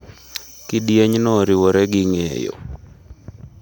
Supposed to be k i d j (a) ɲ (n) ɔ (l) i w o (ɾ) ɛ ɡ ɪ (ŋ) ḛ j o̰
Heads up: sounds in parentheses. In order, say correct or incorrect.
incorrect: e, correct, incorrect: ɾ, correct, correct

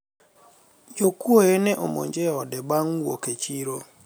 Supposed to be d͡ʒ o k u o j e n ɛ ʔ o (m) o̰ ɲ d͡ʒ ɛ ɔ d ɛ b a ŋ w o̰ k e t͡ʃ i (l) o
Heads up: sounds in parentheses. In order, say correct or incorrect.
correct, incorrect: ɾ

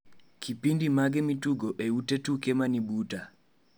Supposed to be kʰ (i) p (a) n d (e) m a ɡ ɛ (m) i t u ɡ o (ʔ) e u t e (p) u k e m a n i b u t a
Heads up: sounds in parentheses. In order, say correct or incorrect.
correct, incorrect: i, incorrect: i, correct, correct, incorrect: t

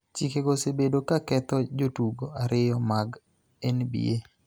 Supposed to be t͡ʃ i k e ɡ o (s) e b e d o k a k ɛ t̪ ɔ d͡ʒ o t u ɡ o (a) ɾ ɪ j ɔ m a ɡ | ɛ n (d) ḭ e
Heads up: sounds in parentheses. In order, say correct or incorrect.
correct, correct, incorrect: b

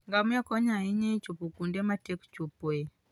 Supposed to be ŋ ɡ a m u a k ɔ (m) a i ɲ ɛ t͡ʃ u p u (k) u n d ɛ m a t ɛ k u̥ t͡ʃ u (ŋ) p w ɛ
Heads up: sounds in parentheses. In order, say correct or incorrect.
incorrect: ɲ, correct, incorrect: none

